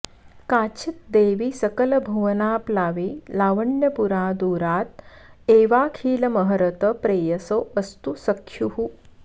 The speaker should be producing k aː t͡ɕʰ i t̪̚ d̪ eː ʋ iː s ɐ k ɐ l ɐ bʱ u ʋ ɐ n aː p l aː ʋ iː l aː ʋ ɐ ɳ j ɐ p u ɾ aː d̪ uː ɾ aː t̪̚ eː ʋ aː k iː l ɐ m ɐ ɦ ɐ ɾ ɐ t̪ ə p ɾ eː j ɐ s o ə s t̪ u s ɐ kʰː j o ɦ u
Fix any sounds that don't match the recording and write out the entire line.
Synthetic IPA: k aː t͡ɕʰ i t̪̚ d̪ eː ʋ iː s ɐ k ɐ l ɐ bʱ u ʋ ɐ n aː p l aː ʋ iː l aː ʋ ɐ ɳ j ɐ p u ɾ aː d̪ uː ɾ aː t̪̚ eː ʋ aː kʰ iː l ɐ m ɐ ɦ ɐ ɾ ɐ t̪ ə p ɾ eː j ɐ s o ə s t̪ u s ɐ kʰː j u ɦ u